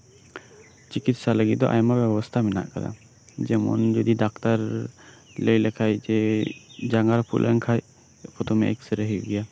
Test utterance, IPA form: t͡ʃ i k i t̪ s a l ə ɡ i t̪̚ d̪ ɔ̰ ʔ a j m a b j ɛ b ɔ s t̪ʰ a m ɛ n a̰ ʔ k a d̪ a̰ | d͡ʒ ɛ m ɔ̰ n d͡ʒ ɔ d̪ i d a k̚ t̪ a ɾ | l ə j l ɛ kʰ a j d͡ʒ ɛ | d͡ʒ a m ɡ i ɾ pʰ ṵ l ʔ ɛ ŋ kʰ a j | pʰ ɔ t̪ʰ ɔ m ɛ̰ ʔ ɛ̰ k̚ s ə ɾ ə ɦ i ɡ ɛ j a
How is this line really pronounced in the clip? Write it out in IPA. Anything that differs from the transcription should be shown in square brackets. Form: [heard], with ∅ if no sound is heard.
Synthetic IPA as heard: t͡ʃ i k i t̪ s a l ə ɡ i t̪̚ d̪ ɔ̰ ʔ a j m a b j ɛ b ɔ s t̪ʰ a m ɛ n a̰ ʔ k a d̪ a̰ | d͡ʒ ɛ m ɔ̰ n d͡ʒ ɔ d̪ i d a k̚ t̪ a ɾ | l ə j l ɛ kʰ a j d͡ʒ ɛ | d͡ʒ a [ŋ] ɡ [a] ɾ pʰ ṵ l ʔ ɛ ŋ kʰ a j | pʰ ɔ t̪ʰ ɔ m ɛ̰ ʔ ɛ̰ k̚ s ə ɾ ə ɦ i ɡ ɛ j a